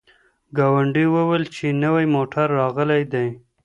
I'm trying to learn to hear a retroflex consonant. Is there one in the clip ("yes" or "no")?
yes